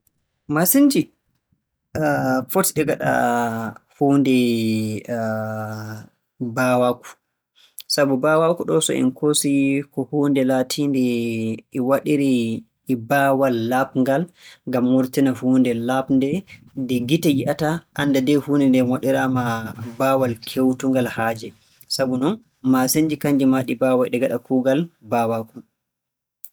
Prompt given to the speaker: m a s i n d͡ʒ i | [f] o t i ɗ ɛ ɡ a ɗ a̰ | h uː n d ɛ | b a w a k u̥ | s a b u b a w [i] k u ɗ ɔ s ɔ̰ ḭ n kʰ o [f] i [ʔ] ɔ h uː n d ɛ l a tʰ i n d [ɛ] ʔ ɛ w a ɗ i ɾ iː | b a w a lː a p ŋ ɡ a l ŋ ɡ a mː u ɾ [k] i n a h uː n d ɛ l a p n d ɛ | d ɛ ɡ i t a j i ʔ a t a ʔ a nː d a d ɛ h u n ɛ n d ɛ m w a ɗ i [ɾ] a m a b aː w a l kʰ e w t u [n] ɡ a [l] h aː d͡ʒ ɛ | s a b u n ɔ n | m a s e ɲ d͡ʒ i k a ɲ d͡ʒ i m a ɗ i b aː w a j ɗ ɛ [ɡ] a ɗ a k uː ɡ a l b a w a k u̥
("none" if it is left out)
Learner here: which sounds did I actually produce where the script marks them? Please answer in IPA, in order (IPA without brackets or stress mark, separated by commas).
f, a, s, k, ɛ, t, ɾ, ŋ, l, ɡ